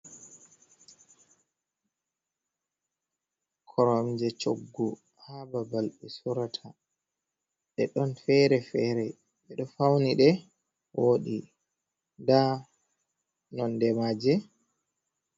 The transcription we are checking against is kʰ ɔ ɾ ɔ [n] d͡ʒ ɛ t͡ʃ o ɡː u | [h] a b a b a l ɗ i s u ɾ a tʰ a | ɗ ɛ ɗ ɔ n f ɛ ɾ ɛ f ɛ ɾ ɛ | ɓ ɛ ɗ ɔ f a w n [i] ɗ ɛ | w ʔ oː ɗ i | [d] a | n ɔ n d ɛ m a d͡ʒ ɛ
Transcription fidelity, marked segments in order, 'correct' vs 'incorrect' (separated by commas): incorrect, correct, correct, correct